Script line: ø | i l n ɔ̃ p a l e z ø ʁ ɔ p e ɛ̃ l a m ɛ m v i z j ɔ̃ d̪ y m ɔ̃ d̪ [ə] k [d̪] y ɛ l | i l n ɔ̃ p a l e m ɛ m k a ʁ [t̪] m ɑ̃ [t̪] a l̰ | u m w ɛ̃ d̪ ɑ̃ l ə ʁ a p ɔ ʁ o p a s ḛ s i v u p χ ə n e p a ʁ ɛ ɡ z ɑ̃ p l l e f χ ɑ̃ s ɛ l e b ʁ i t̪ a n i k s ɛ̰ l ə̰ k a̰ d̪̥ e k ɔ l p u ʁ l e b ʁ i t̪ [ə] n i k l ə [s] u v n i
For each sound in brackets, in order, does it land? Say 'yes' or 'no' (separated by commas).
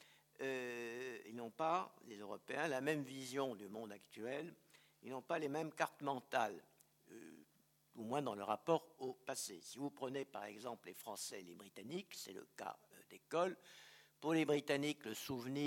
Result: no, no, yes, yes, no, yes